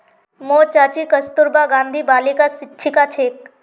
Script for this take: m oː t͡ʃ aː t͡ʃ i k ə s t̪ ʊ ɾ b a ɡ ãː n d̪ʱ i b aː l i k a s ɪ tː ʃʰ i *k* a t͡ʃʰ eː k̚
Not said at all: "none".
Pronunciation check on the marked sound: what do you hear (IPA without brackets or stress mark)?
k